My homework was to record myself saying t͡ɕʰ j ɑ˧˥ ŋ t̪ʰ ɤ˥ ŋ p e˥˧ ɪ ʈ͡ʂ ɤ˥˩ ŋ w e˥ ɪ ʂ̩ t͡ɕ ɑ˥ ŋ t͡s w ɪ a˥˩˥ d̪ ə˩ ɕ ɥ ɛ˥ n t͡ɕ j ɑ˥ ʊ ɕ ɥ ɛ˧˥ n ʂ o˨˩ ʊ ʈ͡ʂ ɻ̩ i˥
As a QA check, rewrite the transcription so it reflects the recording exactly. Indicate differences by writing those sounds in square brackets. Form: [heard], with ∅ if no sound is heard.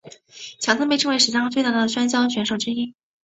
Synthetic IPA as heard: t͡ɕʰ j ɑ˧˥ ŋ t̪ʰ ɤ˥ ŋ p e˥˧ ɪ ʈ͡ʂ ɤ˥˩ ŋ w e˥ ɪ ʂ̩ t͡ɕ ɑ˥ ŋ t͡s w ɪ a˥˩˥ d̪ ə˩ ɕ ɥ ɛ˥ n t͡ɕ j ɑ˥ ʊ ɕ ɥ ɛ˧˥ n ʂ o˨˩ ʊ ʈ͡ʂ ɻ̩ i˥